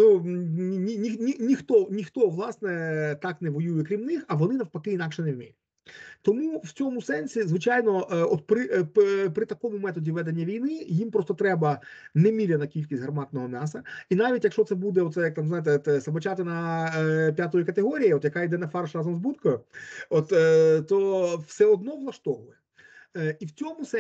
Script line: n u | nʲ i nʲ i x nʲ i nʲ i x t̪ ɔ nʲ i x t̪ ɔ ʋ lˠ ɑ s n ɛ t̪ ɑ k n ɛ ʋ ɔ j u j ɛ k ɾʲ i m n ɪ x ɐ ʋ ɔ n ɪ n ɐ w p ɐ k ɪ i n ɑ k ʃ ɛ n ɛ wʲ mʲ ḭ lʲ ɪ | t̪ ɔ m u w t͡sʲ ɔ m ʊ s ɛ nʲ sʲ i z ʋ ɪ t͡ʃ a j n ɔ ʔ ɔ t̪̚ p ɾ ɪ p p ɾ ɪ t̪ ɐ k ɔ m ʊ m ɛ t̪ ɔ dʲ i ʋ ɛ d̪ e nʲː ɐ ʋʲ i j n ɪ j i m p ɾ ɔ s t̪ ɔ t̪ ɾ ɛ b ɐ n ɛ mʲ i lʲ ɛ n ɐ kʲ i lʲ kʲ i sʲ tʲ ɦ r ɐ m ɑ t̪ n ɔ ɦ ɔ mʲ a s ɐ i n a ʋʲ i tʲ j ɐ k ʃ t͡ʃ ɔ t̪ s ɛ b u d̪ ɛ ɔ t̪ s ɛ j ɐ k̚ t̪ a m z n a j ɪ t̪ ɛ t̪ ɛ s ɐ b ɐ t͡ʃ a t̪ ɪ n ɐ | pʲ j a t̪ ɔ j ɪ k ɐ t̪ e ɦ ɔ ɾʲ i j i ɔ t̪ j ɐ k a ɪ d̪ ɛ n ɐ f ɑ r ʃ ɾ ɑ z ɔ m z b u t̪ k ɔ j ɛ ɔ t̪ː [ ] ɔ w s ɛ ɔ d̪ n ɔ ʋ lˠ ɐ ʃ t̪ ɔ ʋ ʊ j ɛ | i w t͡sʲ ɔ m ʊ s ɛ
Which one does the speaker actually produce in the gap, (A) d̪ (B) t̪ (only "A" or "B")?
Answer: B